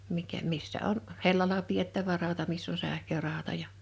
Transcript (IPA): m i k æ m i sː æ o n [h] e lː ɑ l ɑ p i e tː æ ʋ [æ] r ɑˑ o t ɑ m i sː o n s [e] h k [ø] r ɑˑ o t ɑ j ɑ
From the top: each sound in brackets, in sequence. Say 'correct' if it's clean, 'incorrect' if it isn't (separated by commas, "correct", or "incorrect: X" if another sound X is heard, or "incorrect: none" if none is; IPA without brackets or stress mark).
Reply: correct, correct, incorrect: æ, correct